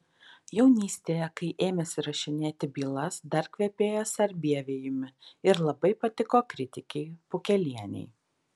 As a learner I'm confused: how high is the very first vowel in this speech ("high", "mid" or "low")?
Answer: mid